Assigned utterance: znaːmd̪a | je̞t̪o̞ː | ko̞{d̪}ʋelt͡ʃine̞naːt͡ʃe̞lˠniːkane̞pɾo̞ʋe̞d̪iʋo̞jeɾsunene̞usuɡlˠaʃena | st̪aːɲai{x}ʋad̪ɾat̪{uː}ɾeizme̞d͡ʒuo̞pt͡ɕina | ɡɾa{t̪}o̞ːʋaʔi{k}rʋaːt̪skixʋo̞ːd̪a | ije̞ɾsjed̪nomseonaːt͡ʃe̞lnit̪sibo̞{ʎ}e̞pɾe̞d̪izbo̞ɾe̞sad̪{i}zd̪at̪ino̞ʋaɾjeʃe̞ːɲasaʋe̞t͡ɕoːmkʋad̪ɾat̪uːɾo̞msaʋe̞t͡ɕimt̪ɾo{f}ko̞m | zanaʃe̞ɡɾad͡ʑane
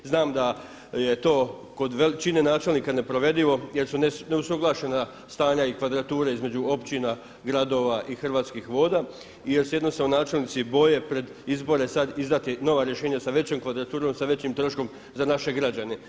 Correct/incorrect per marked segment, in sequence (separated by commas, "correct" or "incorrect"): correct, incorrect, correct, incorrect, incorrect, incorrect, correct, incorrect